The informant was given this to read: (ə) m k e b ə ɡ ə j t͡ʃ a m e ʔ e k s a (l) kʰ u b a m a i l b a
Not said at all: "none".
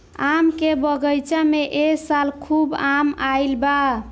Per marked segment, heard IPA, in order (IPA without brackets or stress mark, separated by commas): a, l